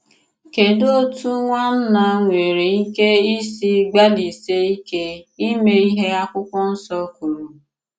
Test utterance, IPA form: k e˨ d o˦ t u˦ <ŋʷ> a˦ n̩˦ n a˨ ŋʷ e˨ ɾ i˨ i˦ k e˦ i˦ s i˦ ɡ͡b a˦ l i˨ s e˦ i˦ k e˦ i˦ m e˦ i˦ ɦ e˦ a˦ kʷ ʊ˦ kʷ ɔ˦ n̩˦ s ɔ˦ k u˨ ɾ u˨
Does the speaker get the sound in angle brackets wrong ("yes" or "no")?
no